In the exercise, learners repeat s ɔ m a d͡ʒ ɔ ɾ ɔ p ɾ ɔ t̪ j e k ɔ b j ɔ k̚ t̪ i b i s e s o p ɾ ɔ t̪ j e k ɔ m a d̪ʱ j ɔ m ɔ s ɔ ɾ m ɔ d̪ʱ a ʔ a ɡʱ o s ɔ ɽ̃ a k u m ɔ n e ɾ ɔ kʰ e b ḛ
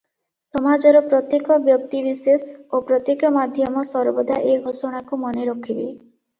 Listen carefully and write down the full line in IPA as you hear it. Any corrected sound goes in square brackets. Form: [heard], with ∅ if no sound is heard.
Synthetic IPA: s ɔ m a d͡ʒ ɔ ɾ ɔ p ɾ ɔ t̪ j e k ɔ b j ɔ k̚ t̪ i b i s e s o p ɾ ɔ t̪ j e k ɔ m a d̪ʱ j ɔ m ɔ s ɔ ɾ [b] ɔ d̪ʱ a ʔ [e] ɡʱ o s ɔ ɽ̃ a k u m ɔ n e ɾ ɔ kʰ [i] b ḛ